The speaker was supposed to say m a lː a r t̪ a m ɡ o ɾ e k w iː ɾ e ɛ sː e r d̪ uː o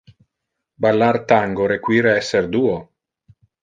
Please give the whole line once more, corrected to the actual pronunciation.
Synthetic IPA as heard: b a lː a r t̪ a ŋ ɡ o ɾ e k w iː ɾ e ɛ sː e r d̪ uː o